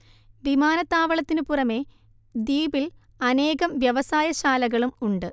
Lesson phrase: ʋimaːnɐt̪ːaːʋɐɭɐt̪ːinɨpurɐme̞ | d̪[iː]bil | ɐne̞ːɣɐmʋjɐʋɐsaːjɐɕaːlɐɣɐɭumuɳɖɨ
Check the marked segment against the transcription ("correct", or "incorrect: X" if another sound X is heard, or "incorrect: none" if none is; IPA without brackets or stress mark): correct